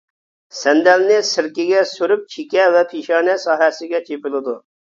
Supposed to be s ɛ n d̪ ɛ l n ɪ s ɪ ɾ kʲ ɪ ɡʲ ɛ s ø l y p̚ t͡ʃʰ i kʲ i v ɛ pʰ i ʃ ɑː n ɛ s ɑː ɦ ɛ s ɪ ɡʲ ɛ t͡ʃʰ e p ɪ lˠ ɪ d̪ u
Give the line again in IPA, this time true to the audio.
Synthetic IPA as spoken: s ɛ n d̪ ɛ l n ɪ s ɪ ɾ kʲ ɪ ɡʲ ɛ s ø ɾ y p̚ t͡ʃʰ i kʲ ɛ v ɛ pʰ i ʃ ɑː n ɛ s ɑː ɦ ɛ s ɪ ɡʲ ɛ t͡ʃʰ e p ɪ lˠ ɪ d̪ u